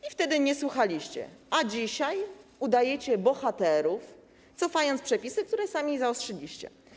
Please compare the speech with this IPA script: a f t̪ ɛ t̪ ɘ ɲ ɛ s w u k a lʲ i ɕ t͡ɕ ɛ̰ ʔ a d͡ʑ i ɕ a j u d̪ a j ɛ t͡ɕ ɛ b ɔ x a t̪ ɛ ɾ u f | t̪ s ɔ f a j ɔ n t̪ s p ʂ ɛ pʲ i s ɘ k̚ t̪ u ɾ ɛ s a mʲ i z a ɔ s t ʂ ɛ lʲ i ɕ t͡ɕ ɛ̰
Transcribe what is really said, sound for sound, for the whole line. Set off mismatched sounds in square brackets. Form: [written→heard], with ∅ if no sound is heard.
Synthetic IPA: [a→i] f t̪ ɛ [t̪→d̪] ɘ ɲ ɛ s w u [k→x] a lʲ i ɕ t͡ɕ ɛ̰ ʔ a d͡ʑ i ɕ a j u d̪ a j ɛ t͡ɕ ɛ b ɔ x a t̪ ɛ ɾ u f | t̪ s ɔ f a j ɔ n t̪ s p ʂ ɛ pʲ i s ɘ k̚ t̪ u ɾ ɛ s a mʲ i z a ɔ s t ʂ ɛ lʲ i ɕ t͡ɕ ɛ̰